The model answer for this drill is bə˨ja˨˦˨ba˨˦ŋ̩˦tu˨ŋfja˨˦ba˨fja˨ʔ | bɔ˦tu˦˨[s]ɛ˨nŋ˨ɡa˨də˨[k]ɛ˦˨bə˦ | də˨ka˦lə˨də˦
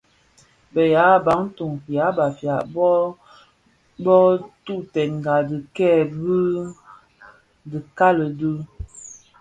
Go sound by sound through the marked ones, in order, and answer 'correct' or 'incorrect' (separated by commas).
incorrect, correct